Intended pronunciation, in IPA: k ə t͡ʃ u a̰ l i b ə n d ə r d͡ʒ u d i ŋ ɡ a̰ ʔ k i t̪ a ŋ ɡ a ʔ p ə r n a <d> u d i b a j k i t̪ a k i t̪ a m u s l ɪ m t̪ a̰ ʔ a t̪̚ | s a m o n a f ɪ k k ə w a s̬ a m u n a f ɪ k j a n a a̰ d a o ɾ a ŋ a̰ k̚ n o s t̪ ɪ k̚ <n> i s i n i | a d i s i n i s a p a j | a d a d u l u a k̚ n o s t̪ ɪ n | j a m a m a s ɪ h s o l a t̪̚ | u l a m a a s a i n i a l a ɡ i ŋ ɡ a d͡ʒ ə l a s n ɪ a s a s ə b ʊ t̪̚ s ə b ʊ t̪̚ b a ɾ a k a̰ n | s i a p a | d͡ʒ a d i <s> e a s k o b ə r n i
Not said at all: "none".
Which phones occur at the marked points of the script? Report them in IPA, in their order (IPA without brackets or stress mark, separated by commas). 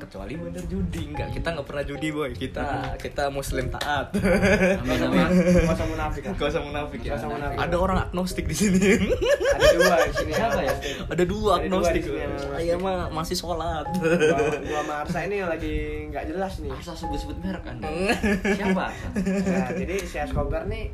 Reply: d͡ʒ, d, s